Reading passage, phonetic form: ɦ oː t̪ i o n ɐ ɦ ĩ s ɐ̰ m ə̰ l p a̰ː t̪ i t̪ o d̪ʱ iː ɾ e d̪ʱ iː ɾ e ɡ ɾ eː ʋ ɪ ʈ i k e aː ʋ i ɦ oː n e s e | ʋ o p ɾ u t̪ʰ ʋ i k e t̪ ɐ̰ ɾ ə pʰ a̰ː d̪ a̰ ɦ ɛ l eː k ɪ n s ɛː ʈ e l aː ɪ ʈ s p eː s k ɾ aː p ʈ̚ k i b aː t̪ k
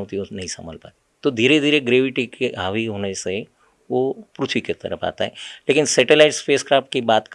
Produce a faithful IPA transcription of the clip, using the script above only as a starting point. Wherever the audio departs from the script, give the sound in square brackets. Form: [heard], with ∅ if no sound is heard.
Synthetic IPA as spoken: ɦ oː t̪ i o n ɐ ɦ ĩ s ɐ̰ m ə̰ l p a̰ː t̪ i t̪ o d̪ʱ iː ɾ e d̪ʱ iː ɾ e ɡ ɾ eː ʋ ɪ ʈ i k e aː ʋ i ɦ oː n e s e | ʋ o p ɾ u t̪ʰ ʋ i k e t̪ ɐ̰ ɾ ə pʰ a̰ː [t̪] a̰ ɦ ɛ l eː k ɪ n s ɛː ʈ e l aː ɪ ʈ s p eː s k ɾ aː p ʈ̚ k i b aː t̪ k